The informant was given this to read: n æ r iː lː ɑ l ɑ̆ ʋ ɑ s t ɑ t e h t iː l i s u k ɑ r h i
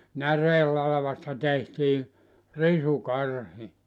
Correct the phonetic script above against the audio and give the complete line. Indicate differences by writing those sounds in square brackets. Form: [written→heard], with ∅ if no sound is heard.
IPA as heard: n æ r [iː→eː] lː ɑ l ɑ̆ ʋ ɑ s t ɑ t e h t iː [l→r] i s u k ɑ r h i